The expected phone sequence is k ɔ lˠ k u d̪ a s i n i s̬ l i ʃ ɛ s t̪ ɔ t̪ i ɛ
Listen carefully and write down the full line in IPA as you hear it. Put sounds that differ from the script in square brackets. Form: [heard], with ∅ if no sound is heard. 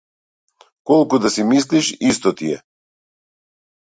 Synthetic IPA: k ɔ lˠ k u d̪ a s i [m] i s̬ l i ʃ [i] s t̪ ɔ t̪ i ɛ